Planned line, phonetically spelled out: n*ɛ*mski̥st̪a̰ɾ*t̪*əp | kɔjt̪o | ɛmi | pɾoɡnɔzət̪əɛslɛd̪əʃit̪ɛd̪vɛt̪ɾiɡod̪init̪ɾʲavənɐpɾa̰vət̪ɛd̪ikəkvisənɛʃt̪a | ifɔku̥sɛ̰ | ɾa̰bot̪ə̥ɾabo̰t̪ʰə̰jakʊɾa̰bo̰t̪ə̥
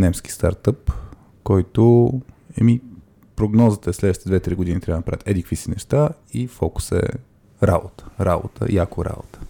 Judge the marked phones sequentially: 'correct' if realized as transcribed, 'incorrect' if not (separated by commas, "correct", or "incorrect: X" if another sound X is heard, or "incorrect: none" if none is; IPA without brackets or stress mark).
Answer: correct, correct